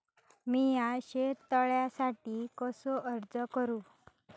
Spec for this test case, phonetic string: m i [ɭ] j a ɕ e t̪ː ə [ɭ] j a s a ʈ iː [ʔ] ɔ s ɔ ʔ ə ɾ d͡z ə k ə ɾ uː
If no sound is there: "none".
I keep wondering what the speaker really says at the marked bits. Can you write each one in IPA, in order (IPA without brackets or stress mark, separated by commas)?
none, ɭ, k